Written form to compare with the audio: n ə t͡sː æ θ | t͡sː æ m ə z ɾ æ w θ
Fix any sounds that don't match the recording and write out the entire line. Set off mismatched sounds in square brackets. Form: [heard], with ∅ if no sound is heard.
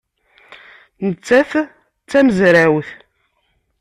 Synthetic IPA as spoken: n ə t͡sː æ θ | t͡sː æ m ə z ɾ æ w θ